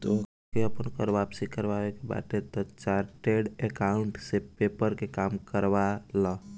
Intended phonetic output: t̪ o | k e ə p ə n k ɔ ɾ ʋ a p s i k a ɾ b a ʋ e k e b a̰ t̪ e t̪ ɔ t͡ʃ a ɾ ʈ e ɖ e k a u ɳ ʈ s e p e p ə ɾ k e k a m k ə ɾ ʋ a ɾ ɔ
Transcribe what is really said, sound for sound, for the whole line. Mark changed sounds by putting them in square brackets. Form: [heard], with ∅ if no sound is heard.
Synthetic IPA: t̪ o | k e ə p ə n k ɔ ɾ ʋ a p s i k [ə] ɾ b a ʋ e k e b a̰ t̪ e t̪ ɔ t͡ʃ a ɾ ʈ e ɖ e k a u ɳ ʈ s e p e p ə ɾ k e k a m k ə ɾ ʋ a [l] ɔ